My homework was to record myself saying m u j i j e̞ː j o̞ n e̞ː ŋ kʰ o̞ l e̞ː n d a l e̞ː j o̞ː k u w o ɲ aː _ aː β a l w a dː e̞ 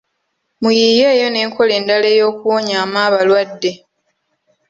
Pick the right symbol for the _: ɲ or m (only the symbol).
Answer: m